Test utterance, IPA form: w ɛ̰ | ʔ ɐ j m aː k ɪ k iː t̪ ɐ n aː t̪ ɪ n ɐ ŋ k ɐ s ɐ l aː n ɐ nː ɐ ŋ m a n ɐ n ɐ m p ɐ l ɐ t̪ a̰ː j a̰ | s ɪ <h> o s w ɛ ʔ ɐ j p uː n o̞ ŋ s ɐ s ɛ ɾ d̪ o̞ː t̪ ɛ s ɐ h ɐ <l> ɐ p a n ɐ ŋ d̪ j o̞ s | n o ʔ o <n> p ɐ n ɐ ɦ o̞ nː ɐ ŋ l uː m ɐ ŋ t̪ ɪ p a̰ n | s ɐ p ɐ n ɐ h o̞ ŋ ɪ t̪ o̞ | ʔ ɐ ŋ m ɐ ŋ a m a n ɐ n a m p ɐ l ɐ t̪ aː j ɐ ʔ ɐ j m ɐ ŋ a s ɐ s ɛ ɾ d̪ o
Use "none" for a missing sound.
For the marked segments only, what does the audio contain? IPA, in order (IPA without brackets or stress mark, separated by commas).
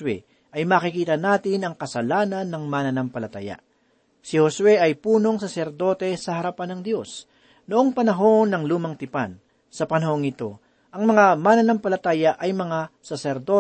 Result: h, ɾ, ŋ